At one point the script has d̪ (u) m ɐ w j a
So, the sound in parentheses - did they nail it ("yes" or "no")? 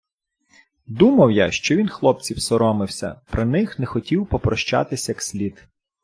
yes